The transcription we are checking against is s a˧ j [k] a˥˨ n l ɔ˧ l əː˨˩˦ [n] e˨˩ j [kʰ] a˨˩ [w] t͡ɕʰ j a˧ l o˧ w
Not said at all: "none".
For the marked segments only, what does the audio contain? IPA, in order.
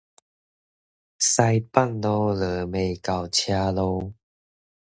p, m, k, w

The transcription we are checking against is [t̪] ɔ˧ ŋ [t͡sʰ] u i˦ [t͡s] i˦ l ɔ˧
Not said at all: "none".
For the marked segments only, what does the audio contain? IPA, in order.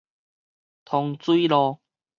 t̪ʰ, t͡s, none

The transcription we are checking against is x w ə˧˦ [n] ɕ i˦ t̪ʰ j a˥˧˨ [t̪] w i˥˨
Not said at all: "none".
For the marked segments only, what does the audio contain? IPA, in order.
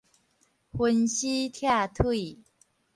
n, t̪ʰ

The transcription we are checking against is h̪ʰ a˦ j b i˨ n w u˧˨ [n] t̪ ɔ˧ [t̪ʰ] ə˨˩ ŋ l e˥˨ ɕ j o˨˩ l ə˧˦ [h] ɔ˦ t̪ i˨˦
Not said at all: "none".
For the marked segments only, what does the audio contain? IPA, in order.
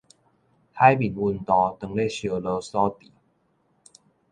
n, t̪, s

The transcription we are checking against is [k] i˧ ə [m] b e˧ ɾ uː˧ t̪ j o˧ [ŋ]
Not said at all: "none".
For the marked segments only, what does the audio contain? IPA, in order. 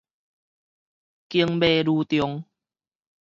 k, ŋ, ŋ

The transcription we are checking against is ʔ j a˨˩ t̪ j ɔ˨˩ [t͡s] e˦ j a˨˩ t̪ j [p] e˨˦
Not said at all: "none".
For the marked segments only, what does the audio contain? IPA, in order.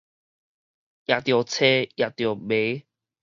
t͡sʰ, b

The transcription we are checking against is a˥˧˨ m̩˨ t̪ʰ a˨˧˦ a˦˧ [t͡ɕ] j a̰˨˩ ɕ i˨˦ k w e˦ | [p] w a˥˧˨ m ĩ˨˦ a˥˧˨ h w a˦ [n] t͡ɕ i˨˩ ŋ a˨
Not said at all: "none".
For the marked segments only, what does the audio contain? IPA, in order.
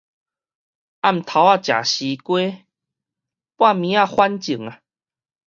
t͡ɕ, p, n

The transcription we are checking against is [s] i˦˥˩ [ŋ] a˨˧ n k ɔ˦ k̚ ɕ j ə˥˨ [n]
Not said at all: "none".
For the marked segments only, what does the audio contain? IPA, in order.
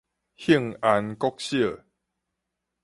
h, ŋ, none

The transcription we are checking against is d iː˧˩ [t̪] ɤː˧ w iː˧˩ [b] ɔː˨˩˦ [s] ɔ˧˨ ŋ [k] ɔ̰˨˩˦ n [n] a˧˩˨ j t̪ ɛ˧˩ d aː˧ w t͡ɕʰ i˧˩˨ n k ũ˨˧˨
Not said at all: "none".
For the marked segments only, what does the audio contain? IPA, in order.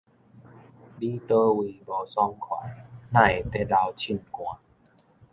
t̪, b, s, kʰ, n

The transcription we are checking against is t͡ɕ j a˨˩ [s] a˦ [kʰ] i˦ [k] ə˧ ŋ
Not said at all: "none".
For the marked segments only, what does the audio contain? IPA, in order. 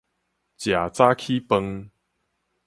t͡s, kʰ, p

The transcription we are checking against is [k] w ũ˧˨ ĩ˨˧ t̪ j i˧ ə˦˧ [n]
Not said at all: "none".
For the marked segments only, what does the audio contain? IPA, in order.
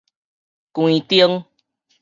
k, ŋ

